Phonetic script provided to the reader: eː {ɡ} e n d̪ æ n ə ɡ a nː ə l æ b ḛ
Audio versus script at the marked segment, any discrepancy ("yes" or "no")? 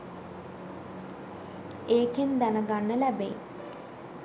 yes